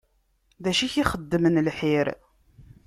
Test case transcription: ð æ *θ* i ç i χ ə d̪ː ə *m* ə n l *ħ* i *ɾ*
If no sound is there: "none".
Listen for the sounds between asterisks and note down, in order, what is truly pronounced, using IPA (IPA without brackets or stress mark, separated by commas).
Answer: ʃ, m, ħ, ɾ